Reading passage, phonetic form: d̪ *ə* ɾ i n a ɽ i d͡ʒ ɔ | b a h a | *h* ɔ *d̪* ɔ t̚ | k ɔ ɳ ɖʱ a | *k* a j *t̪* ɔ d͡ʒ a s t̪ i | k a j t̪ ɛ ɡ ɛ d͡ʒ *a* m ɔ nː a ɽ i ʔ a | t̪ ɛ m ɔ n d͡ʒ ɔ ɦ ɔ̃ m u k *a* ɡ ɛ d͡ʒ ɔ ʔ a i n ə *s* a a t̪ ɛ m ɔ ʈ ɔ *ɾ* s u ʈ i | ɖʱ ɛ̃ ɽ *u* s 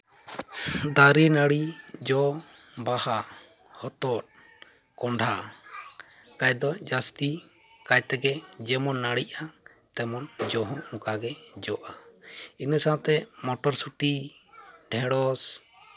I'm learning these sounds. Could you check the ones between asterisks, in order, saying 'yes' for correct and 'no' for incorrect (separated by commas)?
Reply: no, yes, no, yes, no, no, yes, yes, yes, no